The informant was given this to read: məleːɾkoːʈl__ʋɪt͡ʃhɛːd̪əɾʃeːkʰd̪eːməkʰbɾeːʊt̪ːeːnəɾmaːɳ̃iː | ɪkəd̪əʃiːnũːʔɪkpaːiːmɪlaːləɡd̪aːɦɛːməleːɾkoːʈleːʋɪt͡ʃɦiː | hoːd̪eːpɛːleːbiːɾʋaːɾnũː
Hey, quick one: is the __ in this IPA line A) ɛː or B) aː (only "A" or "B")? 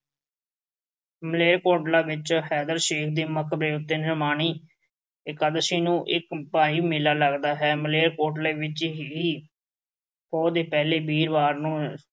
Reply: B